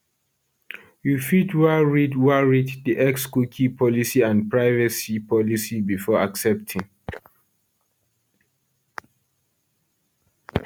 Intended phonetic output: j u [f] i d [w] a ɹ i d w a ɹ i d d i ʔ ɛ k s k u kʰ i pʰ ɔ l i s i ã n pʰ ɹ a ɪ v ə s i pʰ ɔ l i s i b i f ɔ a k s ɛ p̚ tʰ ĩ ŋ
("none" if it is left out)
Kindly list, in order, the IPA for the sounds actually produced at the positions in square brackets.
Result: f, w

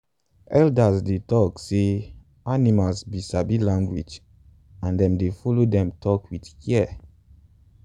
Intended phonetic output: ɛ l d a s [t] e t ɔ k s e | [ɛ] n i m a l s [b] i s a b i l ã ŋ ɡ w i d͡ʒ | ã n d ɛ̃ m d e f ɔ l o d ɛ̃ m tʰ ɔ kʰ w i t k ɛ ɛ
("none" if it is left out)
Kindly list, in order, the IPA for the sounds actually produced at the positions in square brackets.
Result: d, a, b

